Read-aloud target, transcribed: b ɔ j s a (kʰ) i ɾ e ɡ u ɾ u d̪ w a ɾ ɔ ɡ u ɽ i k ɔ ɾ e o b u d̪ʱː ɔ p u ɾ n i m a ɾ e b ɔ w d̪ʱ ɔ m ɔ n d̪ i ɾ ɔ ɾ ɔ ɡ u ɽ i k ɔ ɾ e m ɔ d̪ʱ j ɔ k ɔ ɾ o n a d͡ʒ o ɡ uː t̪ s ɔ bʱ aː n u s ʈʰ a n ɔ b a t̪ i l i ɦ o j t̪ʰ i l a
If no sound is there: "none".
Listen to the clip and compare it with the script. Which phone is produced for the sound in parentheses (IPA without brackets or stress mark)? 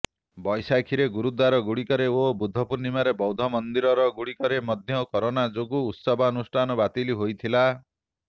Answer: kʰ